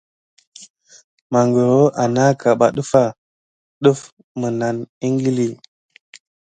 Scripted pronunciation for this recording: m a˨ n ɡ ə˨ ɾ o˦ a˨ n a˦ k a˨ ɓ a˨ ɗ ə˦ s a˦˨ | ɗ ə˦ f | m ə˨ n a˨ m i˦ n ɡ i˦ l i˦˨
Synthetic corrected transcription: m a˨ ŋ ɡ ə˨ ɾ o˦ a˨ n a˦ k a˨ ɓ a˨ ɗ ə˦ f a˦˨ | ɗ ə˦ f | m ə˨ n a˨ n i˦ ŋ ɡ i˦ l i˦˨